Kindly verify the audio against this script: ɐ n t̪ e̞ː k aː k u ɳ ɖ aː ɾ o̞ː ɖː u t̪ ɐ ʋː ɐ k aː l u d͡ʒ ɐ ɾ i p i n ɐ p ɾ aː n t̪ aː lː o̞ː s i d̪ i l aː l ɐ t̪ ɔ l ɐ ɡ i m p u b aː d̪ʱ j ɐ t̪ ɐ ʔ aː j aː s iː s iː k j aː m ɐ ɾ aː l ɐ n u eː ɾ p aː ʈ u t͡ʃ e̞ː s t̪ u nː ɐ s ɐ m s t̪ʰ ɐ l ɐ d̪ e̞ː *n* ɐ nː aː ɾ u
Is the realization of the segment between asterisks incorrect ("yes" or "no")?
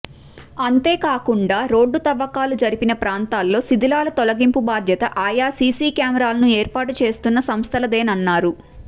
no